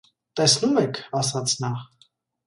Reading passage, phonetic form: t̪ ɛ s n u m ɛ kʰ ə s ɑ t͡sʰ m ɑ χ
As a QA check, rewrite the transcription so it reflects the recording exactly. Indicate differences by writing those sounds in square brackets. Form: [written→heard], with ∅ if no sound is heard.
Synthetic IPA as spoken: t̪ ɛ s n u m ɛ kʰ [ə→ɑ] s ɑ t͡sʰ [m→n] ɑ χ